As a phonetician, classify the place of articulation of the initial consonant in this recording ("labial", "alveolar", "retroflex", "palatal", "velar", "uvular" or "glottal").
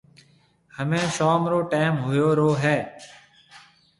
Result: glottal